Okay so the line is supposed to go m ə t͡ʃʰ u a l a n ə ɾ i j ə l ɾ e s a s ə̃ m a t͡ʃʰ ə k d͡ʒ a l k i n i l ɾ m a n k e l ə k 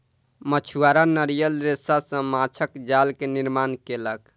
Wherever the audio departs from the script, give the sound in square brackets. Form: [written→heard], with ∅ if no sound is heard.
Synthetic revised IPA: m ə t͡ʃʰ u a [l→ɾ] a n ə ɾ i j ə l ɾ e s a s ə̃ m a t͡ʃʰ ə k d͡ʒ a l k [i→e] n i [l→∅] ɾ m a n k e l ə k